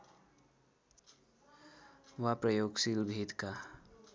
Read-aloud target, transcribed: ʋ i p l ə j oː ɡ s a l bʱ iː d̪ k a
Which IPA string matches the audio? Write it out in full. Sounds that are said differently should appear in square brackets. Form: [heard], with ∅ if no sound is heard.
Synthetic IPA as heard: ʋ [a] p [ɾ] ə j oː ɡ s [i] l bʱ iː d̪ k a

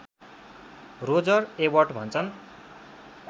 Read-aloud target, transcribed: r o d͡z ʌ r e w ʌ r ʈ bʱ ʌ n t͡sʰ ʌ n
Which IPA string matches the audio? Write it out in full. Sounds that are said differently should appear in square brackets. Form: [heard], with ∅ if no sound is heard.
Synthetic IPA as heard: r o d͡z ʌ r e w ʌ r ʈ bʱ ʌ n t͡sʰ ʌ n

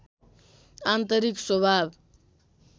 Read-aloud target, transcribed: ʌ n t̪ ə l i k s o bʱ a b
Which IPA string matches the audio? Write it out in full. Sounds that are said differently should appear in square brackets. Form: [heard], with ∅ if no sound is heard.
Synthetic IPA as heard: [a] n t̪ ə [ɾ] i k s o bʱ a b

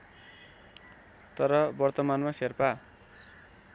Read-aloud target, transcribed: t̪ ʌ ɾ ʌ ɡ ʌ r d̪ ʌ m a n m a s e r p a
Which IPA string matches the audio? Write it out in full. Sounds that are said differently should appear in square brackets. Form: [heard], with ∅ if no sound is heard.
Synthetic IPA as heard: t̪ ʌ ɾ ʌ [b] ʌ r [t̪] ʌ m a n m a s e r p a

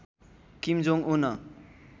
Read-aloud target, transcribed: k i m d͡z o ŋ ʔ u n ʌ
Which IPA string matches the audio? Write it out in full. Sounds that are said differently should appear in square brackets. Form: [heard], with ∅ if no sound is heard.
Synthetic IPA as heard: k i m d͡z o ŋ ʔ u n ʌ

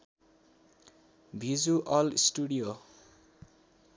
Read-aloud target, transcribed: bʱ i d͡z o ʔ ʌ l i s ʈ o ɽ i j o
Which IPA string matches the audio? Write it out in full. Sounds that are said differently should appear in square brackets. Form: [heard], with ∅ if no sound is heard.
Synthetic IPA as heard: bʱ i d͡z [u] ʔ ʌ l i s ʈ [u] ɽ i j o

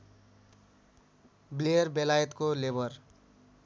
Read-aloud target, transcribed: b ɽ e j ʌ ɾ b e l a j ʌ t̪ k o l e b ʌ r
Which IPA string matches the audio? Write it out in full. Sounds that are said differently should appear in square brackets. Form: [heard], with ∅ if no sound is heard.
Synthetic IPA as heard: b [l] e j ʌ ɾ b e l a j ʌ t̪ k o l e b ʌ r

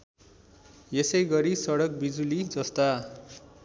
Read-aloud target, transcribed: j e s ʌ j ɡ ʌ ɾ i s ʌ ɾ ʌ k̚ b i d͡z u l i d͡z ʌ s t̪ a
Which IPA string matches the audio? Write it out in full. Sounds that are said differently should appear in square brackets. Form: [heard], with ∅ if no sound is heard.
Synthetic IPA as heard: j e s ʌ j ɡ ʌ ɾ i s ʌ [ɽ] ʌ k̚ b i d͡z u l i d͡z ʌ s t̪ a

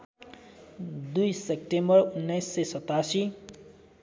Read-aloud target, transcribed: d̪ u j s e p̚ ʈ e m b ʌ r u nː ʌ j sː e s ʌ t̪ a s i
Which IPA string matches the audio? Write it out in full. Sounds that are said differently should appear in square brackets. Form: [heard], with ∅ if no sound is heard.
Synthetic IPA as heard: d̪ u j s e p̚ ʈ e m b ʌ r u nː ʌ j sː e s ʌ t̪ a s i

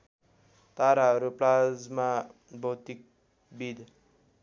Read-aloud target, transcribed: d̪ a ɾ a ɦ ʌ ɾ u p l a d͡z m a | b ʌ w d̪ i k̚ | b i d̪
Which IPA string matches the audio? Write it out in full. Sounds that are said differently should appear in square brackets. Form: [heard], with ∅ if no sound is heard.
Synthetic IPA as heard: [t̪] a ɾ a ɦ ʌ ɾ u p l a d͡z m a | b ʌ w [t̪] i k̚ | b i d̪

